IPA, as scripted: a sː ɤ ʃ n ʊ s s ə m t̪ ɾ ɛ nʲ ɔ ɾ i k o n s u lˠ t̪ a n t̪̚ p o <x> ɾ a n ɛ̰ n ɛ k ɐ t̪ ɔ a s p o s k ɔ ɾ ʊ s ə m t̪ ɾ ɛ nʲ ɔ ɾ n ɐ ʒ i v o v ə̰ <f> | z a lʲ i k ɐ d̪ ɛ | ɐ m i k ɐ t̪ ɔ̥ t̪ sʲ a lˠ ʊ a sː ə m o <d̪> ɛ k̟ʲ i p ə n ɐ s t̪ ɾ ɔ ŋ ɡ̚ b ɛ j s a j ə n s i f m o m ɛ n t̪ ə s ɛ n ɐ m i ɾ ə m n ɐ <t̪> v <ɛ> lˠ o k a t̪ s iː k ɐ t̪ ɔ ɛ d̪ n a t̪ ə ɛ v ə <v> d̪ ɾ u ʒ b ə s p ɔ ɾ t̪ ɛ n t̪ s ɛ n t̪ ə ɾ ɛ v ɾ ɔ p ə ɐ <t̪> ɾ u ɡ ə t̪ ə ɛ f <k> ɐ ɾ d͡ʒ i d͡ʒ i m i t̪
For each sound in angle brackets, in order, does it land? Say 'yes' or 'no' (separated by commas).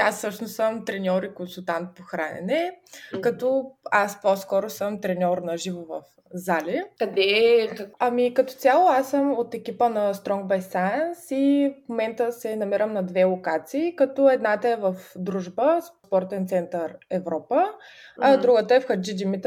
yes, yes, no, no, yes, no, no, no